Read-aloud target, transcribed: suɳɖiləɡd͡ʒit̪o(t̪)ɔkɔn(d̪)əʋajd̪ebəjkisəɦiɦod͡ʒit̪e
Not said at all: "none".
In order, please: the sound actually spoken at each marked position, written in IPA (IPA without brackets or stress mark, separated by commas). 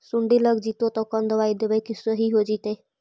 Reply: t̪, d̪